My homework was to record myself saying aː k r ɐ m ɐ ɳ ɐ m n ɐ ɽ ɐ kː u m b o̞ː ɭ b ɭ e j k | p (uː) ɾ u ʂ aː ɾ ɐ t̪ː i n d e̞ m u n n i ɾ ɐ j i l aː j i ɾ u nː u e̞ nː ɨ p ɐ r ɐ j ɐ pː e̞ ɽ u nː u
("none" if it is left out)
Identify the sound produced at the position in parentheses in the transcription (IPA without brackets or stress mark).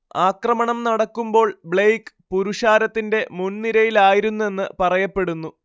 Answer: u